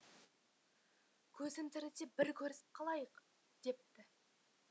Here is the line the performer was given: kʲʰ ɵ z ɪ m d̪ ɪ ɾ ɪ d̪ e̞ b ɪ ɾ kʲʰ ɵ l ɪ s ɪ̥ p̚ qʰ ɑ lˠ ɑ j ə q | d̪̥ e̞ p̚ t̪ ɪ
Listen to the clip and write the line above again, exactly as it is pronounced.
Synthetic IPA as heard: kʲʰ ɵ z ɪ m t̪ ɪ ɾ ɪ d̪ e̞ b ɪ ɾ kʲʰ ɵ ɾ ɪ s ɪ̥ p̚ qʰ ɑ lˠ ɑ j ə q | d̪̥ e̞ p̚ t̪ ɪ